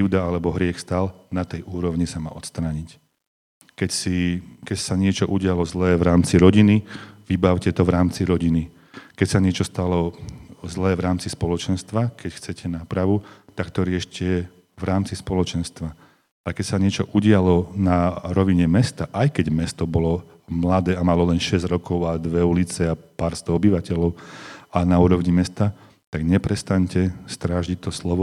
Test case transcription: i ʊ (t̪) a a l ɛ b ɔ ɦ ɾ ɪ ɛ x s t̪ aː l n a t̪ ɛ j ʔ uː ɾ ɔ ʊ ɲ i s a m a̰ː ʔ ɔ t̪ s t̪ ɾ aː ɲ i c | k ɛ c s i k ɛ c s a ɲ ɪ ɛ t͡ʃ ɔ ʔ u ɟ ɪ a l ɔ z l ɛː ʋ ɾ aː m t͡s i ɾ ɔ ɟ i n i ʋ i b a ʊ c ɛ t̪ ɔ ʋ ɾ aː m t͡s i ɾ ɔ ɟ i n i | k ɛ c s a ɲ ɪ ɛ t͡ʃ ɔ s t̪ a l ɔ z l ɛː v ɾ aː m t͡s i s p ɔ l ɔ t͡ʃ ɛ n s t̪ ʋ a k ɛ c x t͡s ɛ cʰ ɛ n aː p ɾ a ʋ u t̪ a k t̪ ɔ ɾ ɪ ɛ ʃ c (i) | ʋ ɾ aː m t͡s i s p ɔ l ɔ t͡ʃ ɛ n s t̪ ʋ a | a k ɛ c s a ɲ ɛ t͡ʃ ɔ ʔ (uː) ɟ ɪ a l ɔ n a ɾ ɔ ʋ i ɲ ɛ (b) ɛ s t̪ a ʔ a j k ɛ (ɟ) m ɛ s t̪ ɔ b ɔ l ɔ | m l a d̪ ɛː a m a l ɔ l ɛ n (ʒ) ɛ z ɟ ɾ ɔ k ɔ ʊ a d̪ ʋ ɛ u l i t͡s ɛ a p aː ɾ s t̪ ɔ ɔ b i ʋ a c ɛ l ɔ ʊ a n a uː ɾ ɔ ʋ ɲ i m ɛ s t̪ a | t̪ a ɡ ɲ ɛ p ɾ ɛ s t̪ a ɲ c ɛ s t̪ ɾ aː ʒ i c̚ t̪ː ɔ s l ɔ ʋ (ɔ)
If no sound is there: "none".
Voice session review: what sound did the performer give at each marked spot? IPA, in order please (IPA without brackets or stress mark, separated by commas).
d̪, ɛ, u, m, ɟ, ʃ, ɔ